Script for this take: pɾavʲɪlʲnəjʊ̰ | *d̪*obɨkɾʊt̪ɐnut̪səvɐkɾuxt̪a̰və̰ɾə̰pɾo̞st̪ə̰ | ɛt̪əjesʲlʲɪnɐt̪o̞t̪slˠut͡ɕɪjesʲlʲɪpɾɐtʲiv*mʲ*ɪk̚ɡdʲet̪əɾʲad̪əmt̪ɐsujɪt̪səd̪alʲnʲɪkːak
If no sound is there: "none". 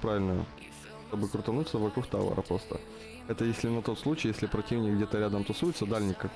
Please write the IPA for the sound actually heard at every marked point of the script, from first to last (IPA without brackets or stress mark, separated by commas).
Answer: t̪, nʲ